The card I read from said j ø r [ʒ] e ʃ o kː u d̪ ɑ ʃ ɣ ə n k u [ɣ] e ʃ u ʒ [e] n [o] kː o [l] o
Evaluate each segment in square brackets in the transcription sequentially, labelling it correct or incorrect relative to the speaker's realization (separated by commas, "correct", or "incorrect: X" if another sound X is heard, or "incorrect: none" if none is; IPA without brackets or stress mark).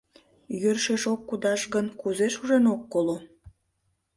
incorrect: ʃ, incorrect: z, correct, correct, correct